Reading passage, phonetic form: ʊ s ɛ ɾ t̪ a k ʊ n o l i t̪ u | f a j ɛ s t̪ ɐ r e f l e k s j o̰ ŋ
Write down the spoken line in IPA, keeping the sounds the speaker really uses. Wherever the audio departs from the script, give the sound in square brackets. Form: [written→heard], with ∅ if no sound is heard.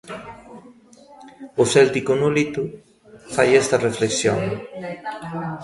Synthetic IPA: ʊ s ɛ [ɾ→l] t̪ [a→i] k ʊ n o l i t̪ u | f a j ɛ s t̪ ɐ r e f l e k s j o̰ ŋ